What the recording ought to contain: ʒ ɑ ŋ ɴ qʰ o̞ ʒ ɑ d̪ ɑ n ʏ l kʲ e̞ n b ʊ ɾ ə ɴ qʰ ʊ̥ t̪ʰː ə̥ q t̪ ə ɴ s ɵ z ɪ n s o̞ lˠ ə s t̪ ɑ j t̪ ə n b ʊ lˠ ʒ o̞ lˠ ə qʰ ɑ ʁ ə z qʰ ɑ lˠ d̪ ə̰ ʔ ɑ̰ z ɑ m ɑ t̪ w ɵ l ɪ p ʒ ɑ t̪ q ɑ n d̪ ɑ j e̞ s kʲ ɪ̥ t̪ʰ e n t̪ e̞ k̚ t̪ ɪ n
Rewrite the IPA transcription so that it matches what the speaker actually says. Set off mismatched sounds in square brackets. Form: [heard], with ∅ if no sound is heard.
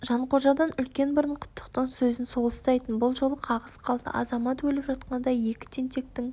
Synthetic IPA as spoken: ʒ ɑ [∅] ɴ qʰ o̞ ʒ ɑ d̪ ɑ n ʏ l kʲ e̞ n b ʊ ɾ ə ɴ qʰ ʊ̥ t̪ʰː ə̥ q t̪ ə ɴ s ɵ z ɪ n s o̞ lˠ ə s t̪ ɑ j t̪ ə n b ʊ lˠ ʒ o̞ lˠ ə qʰ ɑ ʁ ə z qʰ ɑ lˠ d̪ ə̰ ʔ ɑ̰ z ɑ m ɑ t̪ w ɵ l ɪ p ʒ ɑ t̪ q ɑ n d̪ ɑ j e̞ [∅] kʲ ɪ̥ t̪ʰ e n t̪ e̞ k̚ t̪ ɪ [ŋ]

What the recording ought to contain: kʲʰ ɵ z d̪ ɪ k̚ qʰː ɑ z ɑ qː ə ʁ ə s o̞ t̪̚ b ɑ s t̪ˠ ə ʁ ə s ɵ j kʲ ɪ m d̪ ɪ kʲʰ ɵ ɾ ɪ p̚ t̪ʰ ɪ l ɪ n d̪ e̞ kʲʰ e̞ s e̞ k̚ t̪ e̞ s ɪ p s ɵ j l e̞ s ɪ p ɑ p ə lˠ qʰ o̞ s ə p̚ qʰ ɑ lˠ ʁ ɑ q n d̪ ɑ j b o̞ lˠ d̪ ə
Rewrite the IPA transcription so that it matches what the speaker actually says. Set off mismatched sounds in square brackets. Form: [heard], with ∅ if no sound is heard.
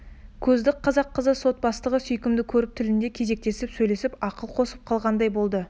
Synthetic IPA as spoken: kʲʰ ɵ z d̪ ɪ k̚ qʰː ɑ z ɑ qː ə [z] ə s o̞ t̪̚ b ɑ s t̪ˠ ə ʁ ə s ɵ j kʲ ɪ m d̪ ɪ kʲʰ ɵ ɾ ɪ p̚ t̪ʰ ɪ l ɪ n d̪ e̞ kʲʰ e̞ [z] e̞ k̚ t̪ e̞ s ɪ p s ɵ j l e̞ s ɪ p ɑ [q] ə lˠ qʰ o̞ s ə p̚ qʰ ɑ lˠ ʁ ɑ [∅] n d̪ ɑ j b o̞ lˠ d̪ ə

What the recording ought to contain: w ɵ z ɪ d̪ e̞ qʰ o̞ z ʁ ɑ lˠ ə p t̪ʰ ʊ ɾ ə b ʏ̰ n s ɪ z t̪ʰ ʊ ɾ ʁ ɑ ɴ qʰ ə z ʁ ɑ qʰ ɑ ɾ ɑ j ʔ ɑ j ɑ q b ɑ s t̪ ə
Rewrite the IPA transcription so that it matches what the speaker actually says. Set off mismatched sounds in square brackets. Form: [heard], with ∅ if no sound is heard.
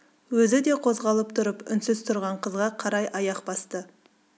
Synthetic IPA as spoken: w ɵ z ɪ d̪ e̞ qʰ o̞ z ʁ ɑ lˠ ə p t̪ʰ ʊ ɾ ə [p] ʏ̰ n s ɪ z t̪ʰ ʊ ɾ ʁ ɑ ɴ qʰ ə z ʁ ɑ qʰ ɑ ɾ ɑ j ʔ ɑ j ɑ q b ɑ s t̪ ə

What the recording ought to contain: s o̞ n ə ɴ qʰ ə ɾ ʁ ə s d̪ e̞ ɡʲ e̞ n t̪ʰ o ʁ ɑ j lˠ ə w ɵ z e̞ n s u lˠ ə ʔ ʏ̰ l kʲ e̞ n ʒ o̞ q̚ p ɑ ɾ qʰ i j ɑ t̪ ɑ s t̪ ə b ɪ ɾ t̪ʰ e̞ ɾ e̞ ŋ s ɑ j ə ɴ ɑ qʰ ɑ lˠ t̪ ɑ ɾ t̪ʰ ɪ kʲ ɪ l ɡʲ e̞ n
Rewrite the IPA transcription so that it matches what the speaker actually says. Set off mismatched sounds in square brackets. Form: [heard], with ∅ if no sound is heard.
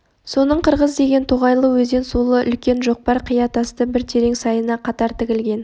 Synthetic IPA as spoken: s o̞ n ə ɴ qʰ ə ɾ ʁ ə [z] d̪ e̞ ɡʲ e̞ n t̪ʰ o ʁ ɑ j lˠ ə w ɵ z e̞ n s u lˠ ə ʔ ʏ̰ l kʲ e̞ n ʒ o̞ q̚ p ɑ ɾ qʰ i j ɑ t̪ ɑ s t̪ ə b ɪ ɾ t̪ʰ e̞ ɾ e̞ ŋ s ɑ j ə [n] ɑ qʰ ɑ [∅] t̪ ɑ ɾ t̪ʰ ɪ kʲ ɪ l ɡʲ e̞ n

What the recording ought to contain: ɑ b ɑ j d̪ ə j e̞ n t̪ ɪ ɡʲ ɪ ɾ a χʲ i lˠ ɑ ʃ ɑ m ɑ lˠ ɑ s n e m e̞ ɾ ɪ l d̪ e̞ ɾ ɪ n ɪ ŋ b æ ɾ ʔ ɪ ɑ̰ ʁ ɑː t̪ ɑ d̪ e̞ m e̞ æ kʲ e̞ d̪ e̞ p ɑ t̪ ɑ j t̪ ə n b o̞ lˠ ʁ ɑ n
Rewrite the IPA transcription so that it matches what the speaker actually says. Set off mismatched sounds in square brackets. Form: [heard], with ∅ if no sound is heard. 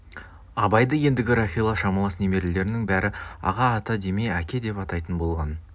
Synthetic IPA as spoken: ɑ b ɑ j d̪ ə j e̞ n [d̪] ɪ ɡʲ ɪ ɾ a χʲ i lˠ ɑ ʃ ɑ m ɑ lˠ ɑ s n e m e̞ ɾ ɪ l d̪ e̞ ɾ ɪ n ɪ ŋ b æ ɾ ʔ ɪ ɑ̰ ʁ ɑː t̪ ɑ d̪ e̞ m e̞ æ kʲ e̞ d̪ e̞ p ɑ t̪ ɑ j t̪ ə n b o̞ lˠ ʁ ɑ n

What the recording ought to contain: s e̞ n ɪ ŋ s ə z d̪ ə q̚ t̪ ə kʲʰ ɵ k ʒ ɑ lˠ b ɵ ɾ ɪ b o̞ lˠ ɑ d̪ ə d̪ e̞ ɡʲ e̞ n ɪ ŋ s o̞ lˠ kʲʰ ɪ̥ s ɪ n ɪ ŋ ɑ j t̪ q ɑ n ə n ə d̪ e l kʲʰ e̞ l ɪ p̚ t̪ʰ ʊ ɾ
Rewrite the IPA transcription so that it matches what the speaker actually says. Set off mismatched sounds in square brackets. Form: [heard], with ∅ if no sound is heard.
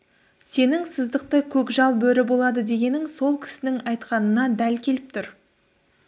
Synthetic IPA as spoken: s e̞ n ɪ ŋ s ə z d̪ ə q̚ t̪ ə kʲʰ ɵ k ʒ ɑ lˠ b ɵ ɾ ɪ b o̞ lˠ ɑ d̪ ə d̪ e̞ ɡʲ e̞ n ɪ ŋ s o̞ lˠ kʲʰ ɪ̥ s ɪ n ɪ ŋ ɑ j t̪ q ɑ n ə n [ɑ] d̪ [æ] l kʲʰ e̞ l ɪ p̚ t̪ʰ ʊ ɾ

